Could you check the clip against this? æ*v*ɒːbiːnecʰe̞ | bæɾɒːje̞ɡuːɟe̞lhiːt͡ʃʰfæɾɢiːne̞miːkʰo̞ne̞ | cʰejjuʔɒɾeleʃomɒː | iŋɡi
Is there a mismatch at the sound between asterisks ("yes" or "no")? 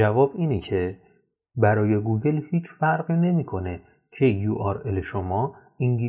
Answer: no